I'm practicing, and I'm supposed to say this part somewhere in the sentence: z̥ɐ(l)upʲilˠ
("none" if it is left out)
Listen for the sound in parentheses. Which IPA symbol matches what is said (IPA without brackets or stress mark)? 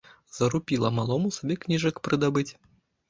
ɾ